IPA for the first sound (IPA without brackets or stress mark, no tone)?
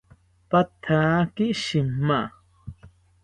p